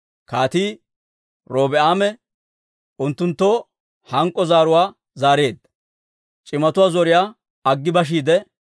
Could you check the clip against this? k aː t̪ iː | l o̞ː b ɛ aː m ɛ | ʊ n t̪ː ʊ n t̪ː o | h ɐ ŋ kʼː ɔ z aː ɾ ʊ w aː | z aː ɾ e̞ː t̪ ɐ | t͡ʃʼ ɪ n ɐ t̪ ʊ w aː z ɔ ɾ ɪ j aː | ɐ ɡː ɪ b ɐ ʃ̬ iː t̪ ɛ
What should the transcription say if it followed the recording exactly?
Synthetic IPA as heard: k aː t̪ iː | ɾ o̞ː b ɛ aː m ɛ | ʊ n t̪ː ʊ n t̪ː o | h ɐ ŋ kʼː ɔ z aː ɾ ʊ w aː | z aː ɾ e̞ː d̪ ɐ | t͡ʃʼ ɪ m ɐ t̪ ʊ w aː z ɔ ɾ ɪ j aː | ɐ ɡː ɪ b ɐ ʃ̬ iː d̪ ɛ